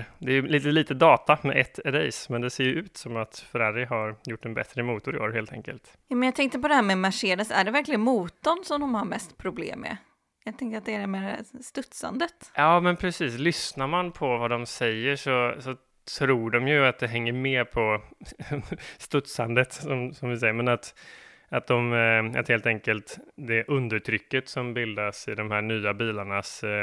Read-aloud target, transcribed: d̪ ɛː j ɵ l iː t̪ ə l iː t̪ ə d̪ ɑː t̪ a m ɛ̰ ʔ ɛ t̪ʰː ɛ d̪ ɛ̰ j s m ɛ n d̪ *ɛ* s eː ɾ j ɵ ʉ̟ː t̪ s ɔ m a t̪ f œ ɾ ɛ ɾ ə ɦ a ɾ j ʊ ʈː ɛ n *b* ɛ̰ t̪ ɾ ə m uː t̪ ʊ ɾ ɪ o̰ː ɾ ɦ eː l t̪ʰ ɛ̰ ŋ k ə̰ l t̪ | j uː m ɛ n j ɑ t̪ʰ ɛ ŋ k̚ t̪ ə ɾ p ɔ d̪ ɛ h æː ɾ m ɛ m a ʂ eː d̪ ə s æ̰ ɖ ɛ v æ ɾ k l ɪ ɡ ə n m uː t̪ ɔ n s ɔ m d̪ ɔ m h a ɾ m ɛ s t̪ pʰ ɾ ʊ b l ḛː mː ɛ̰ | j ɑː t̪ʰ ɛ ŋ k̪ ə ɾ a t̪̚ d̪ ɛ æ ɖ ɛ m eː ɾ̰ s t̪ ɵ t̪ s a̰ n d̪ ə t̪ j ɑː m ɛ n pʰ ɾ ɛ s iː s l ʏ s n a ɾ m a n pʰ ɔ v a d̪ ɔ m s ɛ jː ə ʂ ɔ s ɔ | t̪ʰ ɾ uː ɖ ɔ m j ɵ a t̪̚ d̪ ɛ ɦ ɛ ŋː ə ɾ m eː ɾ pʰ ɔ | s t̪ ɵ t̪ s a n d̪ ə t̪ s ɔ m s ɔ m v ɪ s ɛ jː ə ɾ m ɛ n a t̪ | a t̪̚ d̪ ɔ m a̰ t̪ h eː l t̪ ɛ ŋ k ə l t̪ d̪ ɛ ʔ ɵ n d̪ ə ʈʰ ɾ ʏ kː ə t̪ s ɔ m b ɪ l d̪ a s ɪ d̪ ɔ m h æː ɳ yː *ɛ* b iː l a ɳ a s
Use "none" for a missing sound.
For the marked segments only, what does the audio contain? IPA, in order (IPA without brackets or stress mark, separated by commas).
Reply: ɛ, b, a